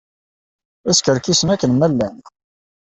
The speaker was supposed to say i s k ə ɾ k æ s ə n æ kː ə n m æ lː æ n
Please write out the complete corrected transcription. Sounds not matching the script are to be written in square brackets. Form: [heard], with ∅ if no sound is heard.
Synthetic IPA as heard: [æ] s k ə ɾ k [i] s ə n æ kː ə n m æ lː æ n